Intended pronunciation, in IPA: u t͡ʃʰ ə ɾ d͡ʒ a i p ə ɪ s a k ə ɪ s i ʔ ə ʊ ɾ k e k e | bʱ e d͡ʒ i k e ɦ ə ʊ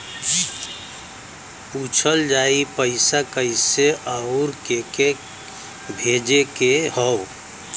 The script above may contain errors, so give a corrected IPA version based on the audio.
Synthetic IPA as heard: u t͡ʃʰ ə l d͡ʒ a i p ə ɪ s a k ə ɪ s e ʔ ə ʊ ɾ k e k e | bʱ e d͡ʒ e k e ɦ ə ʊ